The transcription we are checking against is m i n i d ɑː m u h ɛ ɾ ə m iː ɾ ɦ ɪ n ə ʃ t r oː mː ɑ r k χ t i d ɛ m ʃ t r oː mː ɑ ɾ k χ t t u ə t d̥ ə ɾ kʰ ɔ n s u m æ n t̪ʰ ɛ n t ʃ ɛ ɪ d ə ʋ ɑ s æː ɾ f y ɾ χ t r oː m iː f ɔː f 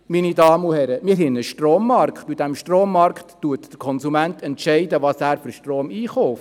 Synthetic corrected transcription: m i n i d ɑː m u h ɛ ɾ ə m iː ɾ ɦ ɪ n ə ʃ t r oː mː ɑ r k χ t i d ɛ m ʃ t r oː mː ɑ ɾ k χ t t u ə t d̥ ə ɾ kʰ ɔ n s u m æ n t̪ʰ ɛ n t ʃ ɛ ɪ d ə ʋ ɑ s æː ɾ f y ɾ ʃ t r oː m iː χ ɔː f

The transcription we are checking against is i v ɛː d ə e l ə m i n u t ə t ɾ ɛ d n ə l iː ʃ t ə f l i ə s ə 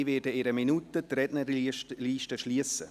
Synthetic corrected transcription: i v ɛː d ə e ɾ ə m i n u t ə t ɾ ɛ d n ə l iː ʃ t ə ʃ l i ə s ə

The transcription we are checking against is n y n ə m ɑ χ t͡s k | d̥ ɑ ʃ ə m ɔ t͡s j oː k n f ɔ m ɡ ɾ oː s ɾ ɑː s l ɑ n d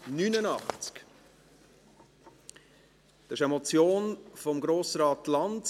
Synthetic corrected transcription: n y n ə n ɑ χ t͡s k | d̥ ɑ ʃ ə m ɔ t͡s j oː n f ɔ m ɡ ɾ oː s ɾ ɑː t l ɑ n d

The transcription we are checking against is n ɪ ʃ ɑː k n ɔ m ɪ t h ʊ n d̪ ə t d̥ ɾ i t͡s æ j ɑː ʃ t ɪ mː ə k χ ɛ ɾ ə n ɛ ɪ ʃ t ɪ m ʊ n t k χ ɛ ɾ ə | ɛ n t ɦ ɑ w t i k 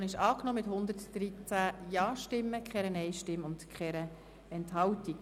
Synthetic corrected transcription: n ɪ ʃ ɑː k n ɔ m ɪ t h ʊ n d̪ ə t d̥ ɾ i t͡s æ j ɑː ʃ t ɪ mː ə k χ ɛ ɾ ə n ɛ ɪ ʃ t ɪ m ʊ n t k χ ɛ ɾ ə | ɛ n t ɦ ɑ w t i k

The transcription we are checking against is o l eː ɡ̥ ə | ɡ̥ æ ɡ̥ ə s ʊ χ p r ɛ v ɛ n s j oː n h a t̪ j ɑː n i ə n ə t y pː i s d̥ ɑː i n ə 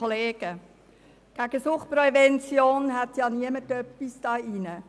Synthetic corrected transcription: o l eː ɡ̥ ə | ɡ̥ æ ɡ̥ ə s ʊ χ p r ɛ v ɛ n t͡s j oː n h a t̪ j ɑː n i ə m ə t œ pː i s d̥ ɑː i n ə

